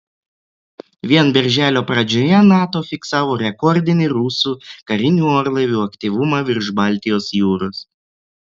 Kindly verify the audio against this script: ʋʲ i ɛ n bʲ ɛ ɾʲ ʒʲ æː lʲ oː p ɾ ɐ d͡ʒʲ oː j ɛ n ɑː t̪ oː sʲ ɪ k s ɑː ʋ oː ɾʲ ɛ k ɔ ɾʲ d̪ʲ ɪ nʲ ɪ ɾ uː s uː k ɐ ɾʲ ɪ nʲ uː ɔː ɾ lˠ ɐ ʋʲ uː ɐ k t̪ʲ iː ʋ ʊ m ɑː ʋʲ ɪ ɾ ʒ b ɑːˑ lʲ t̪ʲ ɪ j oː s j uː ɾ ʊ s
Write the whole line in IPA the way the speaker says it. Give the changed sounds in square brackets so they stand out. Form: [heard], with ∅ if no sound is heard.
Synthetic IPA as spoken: ʋʲ i ɛ n bʲ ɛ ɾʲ ʒʲ æː lʲ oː p ɾ ɐ d͡ʒʲ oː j ɛ n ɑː t̪ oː [fʲ] ɪ k s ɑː ʋ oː ɾʲ ɛ k ɔ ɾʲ d̪ʲ ɪ nʲ ɪ ɾ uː s uː k ɐ ɾʲ ɪ nʲ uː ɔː ɾ lˠ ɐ ʋʲ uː ɐ k t̪ʲ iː ʋ ʊ m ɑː ʋʲ ɪ ɾ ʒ b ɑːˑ lʲ t̪ʲ ɪ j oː s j uː ɾ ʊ s